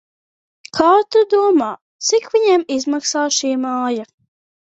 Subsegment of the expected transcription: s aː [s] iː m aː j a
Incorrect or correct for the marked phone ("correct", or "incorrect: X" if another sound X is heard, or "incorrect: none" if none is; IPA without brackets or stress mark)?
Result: incorrect: ʃ